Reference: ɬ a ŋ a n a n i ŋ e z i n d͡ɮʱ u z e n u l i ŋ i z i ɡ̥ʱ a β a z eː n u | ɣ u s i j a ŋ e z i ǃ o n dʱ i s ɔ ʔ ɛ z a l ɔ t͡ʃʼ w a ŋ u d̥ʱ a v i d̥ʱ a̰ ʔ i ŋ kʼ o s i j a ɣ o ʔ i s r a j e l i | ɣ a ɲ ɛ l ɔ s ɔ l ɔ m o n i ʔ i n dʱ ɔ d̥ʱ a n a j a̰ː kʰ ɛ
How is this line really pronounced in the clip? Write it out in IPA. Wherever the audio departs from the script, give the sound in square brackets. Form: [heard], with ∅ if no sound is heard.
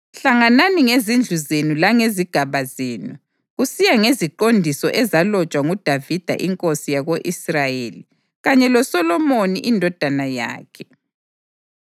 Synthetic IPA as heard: ɬ a ŋ a n a n i ŋ e z i n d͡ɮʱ u z e n u l [a] ŋ [e] z i ɡ̥ʱ a β a z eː n u | ɣ u s i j a ŋ e z i ǃ o n dʱ i s ɔ ʔ ɛ z a l ɔ t͡ʃʼ w a ŋ u d̥ʱ a v i d̥ʱ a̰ ʔ i ŋ kʼ o s i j a ɣ o ʔ i s r a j e l i | ɣ a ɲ ɛ l ɔ s ɔ l ɔ m o n i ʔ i n dʱ ɔ d̥ʱ a n a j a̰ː kʰ ɛ